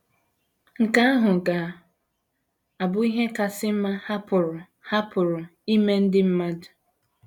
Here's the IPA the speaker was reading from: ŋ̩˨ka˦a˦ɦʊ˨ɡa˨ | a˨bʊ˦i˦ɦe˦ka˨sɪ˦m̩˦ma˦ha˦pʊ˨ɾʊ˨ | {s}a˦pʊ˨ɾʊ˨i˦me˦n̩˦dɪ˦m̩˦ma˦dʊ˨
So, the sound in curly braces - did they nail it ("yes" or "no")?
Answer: no